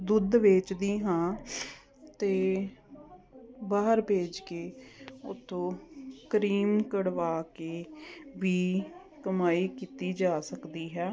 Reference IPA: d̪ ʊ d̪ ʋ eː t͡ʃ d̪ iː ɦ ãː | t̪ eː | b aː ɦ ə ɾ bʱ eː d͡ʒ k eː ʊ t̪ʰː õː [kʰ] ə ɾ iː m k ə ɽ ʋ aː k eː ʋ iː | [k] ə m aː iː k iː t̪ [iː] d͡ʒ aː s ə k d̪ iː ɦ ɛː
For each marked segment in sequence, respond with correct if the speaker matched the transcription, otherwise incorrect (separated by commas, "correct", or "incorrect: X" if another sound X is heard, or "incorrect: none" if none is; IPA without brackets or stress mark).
incorrect: k, correct, correct